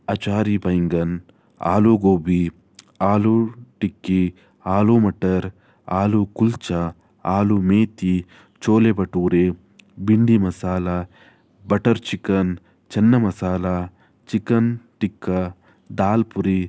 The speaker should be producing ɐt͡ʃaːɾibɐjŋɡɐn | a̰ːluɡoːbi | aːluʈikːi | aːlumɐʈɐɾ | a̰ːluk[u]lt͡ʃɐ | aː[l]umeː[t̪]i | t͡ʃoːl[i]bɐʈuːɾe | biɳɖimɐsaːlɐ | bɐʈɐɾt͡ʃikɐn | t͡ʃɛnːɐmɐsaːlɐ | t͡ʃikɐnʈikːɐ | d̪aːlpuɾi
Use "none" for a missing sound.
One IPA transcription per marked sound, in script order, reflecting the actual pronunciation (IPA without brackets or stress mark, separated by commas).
u, l, t̪, e